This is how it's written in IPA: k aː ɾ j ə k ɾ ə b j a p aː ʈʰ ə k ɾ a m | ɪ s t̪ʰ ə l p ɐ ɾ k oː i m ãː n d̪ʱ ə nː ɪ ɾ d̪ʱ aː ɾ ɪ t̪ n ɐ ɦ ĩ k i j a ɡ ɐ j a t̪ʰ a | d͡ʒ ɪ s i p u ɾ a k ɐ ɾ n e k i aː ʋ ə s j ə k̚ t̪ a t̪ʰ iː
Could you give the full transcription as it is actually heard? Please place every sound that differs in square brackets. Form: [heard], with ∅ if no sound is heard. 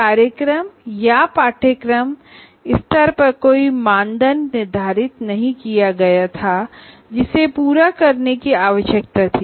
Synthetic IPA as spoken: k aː ɾ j ə k ɾ ə [m] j a p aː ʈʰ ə k ɾ [ə] m | ɪ s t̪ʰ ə [ɾ] p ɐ ɾ k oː i m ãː n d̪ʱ ə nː ɪ ɾ d̪ʱ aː ɾ ɪ t̪ n ɐ ɦ ĩ k i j a ɡ ɐ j a t̪ʰ a | d͡ʒ ɪ s [e] p [uː] ɾ a k ɐ ɾ n e k i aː ʋ ə [ʃ] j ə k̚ t̪ a t̪ʰ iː